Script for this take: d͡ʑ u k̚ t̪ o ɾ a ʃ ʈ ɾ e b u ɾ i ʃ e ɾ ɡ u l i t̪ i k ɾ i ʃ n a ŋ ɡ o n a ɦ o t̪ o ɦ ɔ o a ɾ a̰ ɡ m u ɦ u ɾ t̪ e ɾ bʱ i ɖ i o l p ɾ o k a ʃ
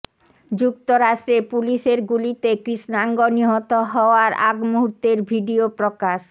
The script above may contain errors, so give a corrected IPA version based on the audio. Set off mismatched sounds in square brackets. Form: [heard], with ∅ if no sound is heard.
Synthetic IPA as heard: d͡ʑ u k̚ t̪ o ɾ a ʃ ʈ ɾ e [p] u [l] i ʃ e ɾ ɡ u l i t̪ [e] k ɾ i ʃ n a ŋ ɡ o n [i] ɦ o t̪ o ɦ ɔ o a ɾ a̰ ɡ m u ɦ u ɾ t̪ e ɾ bʱ i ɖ i o [∅] p ɾ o k a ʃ